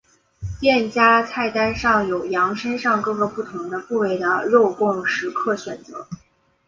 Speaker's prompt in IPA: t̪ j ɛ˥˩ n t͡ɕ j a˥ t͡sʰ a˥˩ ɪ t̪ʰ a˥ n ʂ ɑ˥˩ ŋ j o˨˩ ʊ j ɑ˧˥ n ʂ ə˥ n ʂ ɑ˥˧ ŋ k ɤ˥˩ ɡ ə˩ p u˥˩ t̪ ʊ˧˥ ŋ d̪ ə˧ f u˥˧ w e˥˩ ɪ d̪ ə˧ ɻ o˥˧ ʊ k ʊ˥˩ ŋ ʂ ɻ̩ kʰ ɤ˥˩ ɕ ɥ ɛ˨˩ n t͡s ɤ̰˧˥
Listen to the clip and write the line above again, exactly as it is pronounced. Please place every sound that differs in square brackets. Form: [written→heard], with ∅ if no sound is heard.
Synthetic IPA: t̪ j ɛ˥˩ n t͡ɕ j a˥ t͡sʰ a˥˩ ɪ [t̪ʰ→t̪] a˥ n ʂ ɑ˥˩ ŋ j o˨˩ ʊ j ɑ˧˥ [n→ŋ] ʂ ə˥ n ʂ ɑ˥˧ ŋ k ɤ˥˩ ɡ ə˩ p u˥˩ [t̪→t̪ʰ] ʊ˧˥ ŋ d̪ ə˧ f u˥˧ w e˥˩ ɪ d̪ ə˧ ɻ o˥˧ ʊ k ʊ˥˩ ŋ ʂ ɻ̩ kʰ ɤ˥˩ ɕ ɥ ɛ˨˩ n t͡s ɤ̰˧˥